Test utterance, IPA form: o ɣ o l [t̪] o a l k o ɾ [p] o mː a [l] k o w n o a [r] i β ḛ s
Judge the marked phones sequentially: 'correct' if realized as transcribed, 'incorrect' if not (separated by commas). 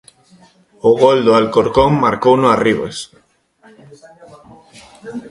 incorrect, incorrect, incorrect, correct